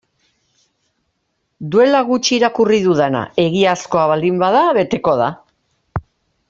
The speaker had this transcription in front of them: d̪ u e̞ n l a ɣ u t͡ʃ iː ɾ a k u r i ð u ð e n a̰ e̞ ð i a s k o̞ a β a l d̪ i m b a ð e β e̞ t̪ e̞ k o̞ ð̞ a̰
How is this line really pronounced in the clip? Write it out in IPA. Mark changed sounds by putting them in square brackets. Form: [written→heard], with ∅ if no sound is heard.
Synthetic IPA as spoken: d̪ u e̞ [n→∅] l a ɣ u t͡ʃ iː ɾ a k u r i ð u ð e n a̰ e̞ [ð→ɣ] i a s k o̞ a β a l d̪ i m b a ð [e→a] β e̞ t̪ e̞ k o̞ ð̞ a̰